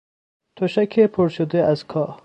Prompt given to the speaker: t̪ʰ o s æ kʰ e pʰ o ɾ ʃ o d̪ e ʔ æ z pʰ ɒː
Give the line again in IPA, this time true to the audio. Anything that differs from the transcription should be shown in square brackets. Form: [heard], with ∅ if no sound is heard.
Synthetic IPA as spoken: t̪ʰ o [ʃ] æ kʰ e pʰ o ɾ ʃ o d̪ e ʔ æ z [kʰ] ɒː